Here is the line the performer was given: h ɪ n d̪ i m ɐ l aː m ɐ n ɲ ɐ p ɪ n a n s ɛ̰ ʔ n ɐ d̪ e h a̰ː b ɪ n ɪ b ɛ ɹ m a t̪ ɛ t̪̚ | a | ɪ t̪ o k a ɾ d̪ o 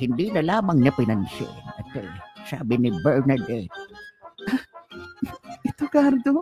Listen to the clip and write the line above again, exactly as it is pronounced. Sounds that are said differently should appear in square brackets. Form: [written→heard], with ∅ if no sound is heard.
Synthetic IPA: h ɪ n d̪ i [m→n] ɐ l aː m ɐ [n→ŋ] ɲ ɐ p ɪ n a n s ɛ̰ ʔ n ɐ [d̪→t̪] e [h→s] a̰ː b ɪ n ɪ b ɛ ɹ [m→n] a [t̪→d̪] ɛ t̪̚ | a | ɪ t̪ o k a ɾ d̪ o